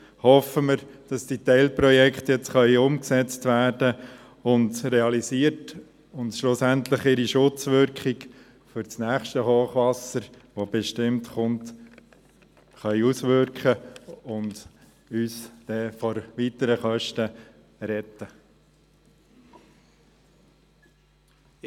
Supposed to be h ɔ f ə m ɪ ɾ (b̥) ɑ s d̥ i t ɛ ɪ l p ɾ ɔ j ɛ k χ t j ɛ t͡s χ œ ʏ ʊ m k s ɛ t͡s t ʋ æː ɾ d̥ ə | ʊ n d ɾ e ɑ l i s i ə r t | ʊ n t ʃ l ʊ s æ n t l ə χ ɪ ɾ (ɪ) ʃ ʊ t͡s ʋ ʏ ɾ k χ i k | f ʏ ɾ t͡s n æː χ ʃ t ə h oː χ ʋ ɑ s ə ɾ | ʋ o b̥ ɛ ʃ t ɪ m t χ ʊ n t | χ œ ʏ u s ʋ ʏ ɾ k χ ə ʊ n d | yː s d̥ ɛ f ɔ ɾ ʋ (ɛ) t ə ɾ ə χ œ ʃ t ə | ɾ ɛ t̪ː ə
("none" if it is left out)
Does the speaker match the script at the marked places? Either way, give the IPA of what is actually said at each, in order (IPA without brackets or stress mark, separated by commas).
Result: d̥, i, i